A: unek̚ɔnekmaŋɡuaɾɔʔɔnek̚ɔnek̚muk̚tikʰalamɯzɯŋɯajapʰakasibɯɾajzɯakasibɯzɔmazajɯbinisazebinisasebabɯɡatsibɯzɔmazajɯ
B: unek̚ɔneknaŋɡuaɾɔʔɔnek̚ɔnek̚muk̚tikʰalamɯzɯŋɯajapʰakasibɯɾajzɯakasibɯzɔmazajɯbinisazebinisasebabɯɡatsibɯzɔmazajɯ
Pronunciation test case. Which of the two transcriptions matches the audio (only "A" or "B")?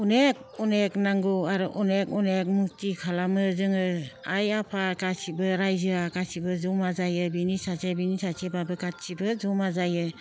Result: B